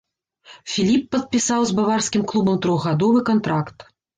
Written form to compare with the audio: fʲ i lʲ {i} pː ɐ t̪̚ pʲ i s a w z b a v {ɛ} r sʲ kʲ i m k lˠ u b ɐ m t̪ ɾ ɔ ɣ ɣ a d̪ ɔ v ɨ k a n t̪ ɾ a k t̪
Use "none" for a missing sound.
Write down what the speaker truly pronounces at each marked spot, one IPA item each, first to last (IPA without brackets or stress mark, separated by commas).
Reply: i, a